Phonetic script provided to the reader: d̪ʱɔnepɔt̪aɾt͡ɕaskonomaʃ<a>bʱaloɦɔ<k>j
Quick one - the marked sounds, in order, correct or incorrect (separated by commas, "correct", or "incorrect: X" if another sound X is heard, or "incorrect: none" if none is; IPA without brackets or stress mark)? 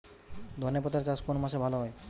incorrect: e, incorrect: none